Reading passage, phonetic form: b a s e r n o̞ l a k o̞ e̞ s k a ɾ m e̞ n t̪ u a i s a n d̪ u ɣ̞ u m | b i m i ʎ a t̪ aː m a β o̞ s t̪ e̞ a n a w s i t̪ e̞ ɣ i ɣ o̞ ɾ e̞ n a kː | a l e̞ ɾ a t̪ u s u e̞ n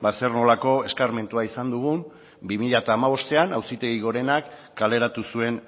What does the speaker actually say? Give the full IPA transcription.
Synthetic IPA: b a s e r n o̞ l a k o̞ e̞ s k a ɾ m e̞ n t̪ u a i s a n d̪ u ɣ̞ u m | b i m i ʎ a t̪ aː m a β o̞ s t̪ e̞ a n a w s i t̪ e̞ ɣ i ɣ o̞ ɾ e̞ n a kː | a l e̞ ɾ a t̪ u s u e̞ n